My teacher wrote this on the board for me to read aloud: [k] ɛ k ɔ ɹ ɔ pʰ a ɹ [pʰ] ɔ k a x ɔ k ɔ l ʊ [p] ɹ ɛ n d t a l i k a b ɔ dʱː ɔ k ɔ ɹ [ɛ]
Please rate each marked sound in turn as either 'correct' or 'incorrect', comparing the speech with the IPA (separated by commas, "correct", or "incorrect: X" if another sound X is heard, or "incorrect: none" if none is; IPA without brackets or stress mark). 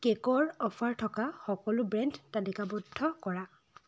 correct, incorrect: tʰ, incorrect: b, incorrect: a